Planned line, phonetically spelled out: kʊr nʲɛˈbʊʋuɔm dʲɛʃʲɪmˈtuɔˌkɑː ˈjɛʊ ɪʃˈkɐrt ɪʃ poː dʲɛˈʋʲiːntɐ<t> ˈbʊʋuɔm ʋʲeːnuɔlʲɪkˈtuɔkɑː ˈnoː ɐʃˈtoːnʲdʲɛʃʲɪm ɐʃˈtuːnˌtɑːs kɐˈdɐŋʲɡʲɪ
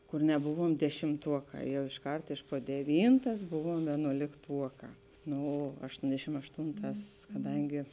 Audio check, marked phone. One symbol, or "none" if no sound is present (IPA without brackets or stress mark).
s